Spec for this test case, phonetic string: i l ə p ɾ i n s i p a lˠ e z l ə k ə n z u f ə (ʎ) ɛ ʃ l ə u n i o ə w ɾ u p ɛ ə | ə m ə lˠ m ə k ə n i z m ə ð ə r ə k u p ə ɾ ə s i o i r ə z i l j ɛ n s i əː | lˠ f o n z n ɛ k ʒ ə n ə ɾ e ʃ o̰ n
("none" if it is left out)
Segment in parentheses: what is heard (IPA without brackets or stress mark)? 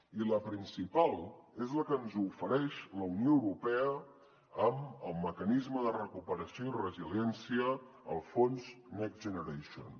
ɾ